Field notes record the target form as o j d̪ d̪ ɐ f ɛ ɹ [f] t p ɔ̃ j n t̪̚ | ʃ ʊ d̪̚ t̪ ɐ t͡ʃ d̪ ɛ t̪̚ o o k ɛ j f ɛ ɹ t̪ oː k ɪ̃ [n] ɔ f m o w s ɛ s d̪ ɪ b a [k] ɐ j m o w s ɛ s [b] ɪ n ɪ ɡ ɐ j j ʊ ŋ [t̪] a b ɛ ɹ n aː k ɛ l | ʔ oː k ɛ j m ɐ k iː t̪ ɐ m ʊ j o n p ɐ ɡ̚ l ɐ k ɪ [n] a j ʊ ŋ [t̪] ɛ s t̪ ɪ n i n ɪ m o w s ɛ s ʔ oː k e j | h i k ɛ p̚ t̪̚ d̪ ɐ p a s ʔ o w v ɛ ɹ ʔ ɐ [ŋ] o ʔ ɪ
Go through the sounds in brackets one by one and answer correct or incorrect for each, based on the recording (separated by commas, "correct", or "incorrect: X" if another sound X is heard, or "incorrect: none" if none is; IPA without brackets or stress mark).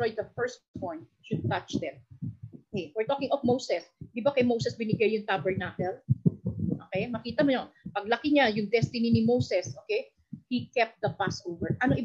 incorrect: s, incorrect: ŋ, correct, correct, correct, incorrect: ɲ, incorrect: d̪, incorrect: n